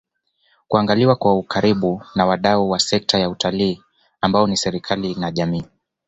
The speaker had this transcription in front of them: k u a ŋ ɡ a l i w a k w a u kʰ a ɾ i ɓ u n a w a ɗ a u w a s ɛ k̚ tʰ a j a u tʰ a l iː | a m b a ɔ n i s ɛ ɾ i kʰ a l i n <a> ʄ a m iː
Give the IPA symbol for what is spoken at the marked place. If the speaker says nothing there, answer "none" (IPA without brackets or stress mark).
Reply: a